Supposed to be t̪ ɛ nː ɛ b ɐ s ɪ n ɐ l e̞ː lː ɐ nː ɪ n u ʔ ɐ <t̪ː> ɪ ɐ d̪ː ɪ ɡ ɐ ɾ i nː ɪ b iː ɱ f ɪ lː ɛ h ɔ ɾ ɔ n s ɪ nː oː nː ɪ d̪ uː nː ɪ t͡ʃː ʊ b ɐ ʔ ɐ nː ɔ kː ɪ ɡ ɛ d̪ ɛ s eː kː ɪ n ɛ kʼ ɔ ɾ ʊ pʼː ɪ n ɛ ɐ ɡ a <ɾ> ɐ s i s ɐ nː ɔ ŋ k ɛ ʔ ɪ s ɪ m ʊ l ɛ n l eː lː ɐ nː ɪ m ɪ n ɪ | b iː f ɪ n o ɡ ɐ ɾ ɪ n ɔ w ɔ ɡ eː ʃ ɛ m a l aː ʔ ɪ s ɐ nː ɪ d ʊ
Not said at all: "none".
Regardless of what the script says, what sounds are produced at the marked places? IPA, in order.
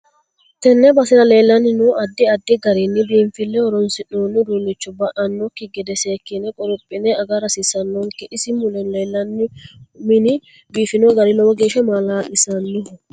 d̪ː, ɾ

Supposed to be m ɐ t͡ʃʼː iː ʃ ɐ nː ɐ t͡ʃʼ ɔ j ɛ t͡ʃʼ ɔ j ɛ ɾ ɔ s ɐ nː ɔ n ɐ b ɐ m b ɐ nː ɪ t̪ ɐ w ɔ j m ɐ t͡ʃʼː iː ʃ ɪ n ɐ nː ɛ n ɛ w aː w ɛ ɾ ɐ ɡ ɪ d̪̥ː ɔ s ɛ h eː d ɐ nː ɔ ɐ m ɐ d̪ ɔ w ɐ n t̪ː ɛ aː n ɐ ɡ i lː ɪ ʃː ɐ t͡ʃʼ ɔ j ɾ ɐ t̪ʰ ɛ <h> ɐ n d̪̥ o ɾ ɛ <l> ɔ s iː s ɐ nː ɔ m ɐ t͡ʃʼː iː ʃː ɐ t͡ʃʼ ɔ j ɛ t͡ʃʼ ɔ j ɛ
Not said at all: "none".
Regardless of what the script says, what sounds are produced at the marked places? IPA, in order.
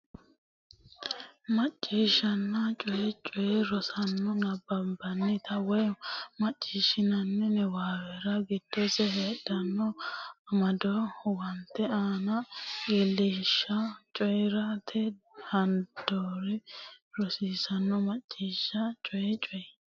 h, ɾ

